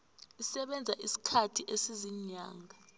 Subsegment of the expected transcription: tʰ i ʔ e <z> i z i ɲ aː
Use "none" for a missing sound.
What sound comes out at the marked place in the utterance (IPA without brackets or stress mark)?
s